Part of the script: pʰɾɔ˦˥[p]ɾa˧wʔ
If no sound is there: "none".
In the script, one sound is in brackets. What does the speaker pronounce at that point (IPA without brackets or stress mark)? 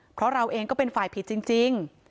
none